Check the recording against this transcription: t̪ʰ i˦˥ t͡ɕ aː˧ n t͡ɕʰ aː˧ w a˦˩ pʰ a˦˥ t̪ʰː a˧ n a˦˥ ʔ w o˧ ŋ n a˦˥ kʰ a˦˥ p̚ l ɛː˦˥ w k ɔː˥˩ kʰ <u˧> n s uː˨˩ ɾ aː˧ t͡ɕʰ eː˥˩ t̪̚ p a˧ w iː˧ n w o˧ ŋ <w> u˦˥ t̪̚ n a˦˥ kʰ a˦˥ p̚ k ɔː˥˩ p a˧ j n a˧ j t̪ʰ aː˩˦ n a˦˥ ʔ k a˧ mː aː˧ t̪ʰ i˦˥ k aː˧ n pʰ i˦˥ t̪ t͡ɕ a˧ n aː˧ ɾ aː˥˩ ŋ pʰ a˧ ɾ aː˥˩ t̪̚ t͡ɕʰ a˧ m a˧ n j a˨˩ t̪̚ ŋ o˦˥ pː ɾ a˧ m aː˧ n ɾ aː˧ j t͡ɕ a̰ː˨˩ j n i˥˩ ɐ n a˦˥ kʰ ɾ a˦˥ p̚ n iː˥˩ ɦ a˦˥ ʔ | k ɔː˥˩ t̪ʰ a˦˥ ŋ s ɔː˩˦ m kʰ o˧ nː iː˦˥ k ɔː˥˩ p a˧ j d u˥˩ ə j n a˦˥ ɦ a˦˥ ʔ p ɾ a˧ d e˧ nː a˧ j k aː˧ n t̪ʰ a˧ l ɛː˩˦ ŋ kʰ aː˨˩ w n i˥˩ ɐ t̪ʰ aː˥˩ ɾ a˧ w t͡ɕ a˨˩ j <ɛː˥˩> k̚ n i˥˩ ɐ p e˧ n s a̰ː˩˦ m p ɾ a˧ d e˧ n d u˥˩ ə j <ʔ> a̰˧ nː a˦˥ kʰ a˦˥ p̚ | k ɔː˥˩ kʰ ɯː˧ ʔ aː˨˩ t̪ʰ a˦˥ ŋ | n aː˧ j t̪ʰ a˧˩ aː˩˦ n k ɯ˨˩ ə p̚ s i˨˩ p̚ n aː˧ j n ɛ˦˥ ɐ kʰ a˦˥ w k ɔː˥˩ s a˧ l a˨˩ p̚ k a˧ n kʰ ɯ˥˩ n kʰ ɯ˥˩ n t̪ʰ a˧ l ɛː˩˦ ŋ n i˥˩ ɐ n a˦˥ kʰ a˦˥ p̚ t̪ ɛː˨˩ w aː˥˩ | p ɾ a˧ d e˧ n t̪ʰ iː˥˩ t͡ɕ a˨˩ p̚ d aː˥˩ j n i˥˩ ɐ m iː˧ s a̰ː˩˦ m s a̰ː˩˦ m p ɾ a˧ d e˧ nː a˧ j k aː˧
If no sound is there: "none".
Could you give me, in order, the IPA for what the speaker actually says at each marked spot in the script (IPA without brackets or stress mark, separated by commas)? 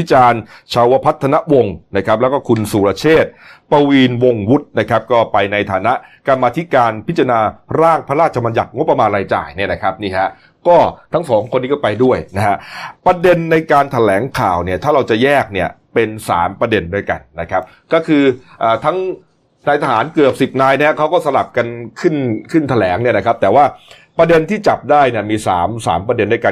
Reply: u˧, w, ɛː˥˩, k